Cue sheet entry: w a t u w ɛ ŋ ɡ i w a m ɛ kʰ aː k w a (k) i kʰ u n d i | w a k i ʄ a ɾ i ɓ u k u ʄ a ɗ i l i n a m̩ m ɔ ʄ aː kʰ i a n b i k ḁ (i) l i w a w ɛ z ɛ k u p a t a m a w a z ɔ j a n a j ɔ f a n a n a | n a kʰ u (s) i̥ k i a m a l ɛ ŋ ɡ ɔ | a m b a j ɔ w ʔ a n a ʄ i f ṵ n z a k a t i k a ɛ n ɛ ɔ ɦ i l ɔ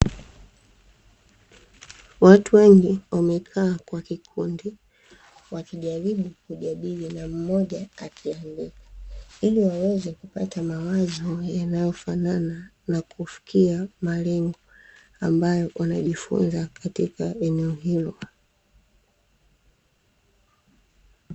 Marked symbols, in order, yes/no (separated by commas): yes, yes, no